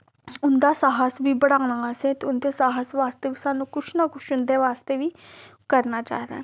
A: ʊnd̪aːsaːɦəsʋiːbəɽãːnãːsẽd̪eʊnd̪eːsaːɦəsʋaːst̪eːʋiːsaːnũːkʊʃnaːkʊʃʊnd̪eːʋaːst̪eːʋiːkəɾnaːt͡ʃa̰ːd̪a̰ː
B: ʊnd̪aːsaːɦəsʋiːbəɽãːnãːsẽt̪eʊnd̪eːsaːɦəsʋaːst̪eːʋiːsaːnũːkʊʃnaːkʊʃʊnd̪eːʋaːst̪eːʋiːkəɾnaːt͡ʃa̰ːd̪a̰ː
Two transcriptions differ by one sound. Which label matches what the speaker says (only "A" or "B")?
B